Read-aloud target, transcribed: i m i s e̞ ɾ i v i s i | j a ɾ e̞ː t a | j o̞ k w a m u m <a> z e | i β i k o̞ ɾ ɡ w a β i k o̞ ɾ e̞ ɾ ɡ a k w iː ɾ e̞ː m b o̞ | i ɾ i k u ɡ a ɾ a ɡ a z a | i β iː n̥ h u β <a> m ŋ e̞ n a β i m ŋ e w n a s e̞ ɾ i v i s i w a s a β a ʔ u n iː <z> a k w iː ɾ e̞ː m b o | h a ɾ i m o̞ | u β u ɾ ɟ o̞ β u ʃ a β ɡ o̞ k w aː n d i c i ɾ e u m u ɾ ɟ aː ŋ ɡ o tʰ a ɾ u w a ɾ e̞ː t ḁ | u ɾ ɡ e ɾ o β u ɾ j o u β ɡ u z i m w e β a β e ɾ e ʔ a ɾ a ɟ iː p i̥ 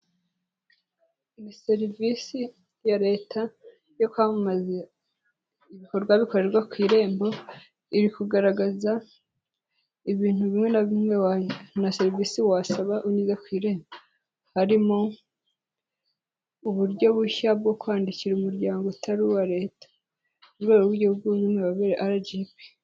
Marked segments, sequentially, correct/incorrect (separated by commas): correct, incorrect, correct